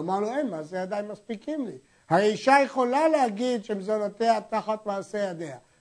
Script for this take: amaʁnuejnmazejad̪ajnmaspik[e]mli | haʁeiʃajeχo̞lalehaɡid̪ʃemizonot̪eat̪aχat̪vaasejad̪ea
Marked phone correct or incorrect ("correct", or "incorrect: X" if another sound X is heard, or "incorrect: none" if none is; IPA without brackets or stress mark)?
incorrect: i